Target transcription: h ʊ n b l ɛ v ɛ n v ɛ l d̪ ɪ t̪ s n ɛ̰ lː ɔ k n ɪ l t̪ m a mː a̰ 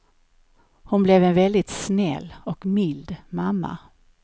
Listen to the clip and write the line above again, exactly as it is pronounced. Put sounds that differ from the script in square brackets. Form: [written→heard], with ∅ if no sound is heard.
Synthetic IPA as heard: h ʊ n b l ɛ v ɛ n v ɛ l d̪ ɪ t̪ s n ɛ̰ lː ɔ k [n→m] ɪ l [t̪→d̪] m a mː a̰